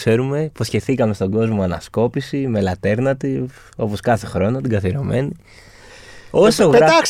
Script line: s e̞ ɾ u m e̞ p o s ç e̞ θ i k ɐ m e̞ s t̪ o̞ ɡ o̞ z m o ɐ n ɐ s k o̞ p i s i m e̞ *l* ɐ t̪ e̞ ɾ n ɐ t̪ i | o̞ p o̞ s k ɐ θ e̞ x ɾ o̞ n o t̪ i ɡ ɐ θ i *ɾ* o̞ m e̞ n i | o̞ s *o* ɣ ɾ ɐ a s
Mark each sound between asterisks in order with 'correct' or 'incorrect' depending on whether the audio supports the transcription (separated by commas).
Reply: correct, correct, correct